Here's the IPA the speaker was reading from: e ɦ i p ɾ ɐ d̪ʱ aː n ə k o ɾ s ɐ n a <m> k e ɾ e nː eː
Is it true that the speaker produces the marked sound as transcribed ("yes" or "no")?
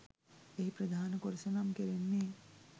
yes